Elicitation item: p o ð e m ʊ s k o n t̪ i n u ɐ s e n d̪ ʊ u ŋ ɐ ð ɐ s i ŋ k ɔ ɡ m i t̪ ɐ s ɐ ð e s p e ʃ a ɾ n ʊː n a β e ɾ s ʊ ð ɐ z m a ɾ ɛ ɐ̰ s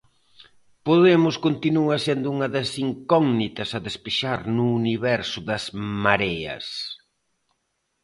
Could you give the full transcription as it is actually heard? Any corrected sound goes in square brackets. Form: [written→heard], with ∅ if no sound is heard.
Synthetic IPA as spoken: p o ð e m ʊ s k o n t̪ i n u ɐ s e n d̪ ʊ u ŋ ɐ ð ɐ s i ŋ k ɔ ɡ [m→n] i t̪ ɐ s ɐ ð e s p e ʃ a ɾ n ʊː n [a→i] β [e→ɛ] ɾ s ʊ ð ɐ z m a ɾ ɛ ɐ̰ s